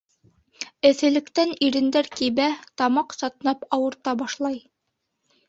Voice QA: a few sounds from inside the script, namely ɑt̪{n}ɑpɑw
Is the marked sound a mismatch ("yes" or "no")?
no